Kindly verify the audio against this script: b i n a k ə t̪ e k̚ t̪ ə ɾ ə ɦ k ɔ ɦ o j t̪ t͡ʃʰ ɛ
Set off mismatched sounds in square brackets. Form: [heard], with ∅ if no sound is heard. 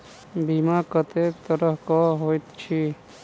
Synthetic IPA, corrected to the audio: b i [m] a k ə t̪ e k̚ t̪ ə ɾ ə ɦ k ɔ ɦ o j t̪ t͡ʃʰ [i]